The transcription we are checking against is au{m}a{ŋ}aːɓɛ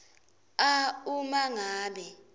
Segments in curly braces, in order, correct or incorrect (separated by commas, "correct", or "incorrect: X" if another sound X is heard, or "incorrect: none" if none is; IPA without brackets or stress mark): correct, correct